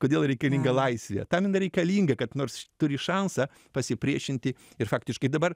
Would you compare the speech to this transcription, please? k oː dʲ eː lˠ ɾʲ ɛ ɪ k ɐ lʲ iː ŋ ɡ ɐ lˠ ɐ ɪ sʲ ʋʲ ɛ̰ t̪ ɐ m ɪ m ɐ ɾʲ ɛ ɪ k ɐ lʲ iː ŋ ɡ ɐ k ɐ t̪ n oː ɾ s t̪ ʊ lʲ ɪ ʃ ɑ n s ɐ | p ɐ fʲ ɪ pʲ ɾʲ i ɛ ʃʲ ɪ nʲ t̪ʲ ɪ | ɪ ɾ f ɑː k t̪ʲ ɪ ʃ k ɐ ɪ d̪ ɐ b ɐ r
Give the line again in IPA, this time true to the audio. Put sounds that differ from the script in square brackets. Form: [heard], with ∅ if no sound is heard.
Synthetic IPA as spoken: k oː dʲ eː lˠ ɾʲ ɛ ɪ k ɐ lʲ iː ŋ ɡ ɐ lˠ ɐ ɪ sʲ ʋʲ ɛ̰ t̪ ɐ m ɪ [n] ɐ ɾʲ ɛ ɪ k ɐ lʲ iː ŋ ɡ ɐ k ɐ t̪ n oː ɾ s t̪ ʊ [ɾʲ] ɪ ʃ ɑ n s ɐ | p ɐ [sʲ] ɪ pʲ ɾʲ i ɛ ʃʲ ɪ nʲ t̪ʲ ɪ | ɪ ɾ f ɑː k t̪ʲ ɪ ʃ k ɐ ɪ d̪ ɐ b ɐ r